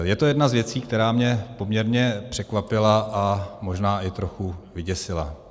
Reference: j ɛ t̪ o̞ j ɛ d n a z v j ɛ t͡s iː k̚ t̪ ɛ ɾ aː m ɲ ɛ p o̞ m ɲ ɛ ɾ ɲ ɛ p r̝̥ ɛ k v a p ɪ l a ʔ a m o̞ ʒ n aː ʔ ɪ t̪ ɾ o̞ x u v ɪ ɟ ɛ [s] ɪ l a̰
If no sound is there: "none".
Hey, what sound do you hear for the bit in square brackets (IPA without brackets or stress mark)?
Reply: s